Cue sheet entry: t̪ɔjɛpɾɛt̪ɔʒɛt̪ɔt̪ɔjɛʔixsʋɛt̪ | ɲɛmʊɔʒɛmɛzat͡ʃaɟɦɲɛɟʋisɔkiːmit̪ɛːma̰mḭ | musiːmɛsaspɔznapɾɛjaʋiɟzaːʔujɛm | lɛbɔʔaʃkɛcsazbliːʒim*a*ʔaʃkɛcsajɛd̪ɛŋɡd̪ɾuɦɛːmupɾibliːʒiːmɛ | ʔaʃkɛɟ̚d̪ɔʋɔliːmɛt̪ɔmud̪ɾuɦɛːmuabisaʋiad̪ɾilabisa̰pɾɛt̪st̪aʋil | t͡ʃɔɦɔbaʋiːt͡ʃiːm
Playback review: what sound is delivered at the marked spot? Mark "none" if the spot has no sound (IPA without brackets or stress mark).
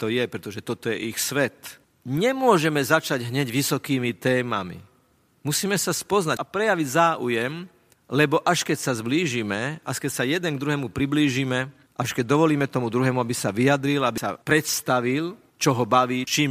ɛ